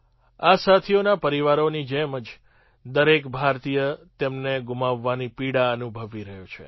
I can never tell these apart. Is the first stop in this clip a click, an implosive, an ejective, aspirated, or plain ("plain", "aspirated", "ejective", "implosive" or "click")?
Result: aspirated